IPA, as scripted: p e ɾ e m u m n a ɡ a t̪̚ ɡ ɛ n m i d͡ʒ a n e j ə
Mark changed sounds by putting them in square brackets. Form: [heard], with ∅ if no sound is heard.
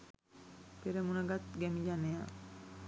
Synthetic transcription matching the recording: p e ɾ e m u [∅] n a ɡ a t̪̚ ɡ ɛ [∅] m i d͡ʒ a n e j [a]